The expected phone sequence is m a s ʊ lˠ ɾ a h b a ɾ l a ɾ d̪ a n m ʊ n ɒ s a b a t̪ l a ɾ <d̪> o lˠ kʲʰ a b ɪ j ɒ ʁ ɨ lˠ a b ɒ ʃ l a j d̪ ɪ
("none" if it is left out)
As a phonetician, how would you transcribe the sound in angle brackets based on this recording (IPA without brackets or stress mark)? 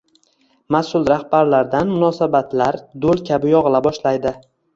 d̪